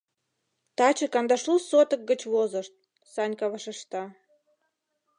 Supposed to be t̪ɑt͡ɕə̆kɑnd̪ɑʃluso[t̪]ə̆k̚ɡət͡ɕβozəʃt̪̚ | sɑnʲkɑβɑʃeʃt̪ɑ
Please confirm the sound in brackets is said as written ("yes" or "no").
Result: yes